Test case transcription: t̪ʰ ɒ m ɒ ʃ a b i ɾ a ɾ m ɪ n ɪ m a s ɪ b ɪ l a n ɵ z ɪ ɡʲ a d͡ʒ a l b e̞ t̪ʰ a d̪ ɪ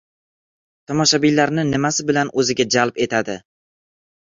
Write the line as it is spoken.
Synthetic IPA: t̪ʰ ɒ m ɒ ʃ a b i l a ɾ n ɪ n ɪ m a s ɪ b ɪ l a n ɵ z ɪ ɡʲ a d͡ʒ a l p e̞ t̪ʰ a d̪ ɪ

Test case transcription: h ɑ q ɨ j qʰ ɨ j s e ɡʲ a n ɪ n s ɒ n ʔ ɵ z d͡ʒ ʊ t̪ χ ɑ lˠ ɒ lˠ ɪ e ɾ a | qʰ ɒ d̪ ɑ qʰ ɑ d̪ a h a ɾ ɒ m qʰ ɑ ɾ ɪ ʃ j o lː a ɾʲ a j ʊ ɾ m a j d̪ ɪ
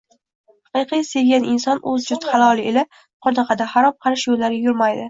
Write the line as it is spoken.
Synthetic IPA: h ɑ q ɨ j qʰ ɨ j s e ɡʲ a n ɪ n s ɒ n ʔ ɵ z d͡ʒ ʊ t̪ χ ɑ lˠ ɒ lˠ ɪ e l a | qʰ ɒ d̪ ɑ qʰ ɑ d̪ a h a ɾ ɒ m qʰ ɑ ɾ ɪ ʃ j o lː a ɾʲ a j ʊ ɾ m a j d̪ ɪ

